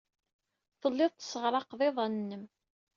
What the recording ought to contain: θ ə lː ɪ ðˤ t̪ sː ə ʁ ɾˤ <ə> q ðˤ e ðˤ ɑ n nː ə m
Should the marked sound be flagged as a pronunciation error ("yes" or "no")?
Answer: yes